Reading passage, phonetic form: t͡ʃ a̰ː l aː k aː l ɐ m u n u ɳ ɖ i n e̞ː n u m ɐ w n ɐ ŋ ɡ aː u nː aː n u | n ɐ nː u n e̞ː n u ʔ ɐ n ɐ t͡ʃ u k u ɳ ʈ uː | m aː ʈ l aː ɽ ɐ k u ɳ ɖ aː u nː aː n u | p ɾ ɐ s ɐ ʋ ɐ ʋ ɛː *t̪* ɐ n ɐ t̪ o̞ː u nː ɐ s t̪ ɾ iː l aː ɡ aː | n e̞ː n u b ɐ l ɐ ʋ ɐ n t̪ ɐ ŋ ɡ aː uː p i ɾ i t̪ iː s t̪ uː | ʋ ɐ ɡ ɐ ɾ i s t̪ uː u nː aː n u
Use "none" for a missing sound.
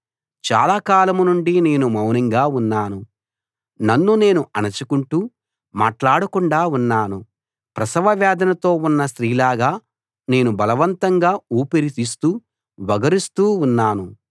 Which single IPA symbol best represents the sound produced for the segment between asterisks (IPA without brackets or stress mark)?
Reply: d̪